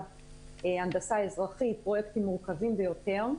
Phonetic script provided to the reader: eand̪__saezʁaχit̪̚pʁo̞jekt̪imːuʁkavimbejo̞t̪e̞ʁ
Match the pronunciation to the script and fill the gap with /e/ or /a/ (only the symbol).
a